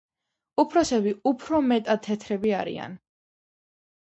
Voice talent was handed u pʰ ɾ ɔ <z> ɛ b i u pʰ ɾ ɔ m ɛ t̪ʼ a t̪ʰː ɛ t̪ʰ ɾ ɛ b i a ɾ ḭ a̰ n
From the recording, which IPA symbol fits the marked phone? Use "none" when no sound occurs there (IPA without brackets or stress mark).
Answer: s